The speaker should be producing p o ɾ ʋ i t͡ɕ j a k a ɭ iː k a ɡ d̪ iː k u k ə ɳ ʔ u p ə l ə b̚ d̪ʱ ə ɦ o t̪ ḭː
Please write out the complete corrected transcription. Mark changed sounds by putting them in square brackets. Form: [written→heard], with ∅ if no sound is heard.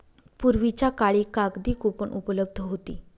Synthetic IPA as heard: p [o→u] ɾ ʋ i t͡ɕ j a k a ɭ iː k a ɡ d̪ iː k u [k→p] ə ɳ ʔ u p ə l ə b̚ d̪ʱ ə ɦ o t̪ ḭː